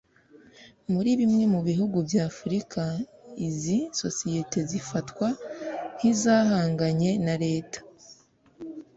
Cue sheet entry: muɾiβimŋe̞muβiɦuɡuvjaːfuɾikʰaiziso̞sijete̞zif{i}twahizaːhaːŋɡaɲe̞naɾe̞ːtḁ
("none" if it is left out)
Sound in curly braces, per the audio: a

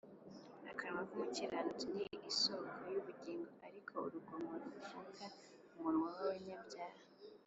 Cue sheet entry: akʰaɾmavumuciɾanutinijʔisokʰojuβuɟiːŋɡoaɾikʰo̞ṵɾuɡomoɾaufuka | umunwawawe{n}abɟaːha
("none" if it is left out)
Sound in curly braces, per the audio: ɲ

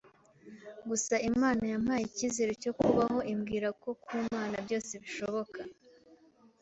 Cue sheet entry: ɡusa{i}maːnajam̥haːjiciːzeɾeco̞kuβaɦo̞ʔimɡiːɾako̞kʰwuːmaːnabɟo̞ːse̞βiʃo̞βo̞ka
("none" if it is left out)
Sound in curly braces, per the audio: i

